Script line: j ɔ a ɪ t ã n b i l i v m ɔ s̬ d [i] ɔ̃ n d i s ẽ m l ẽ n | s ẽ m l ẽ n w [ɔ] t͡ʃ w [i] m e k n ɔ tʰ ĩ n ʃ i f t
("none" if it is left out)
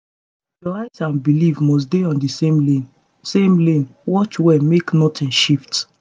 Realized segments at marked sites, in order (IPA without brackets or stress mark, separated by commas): e, ɔ, ɛ